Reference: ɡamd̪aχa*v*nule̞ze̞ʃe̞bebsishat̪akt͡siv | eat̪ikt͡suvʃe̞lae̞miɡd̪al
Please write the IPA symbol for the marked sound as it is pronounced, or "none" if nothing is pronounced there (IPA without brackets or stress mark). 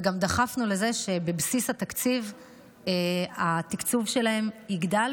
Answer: f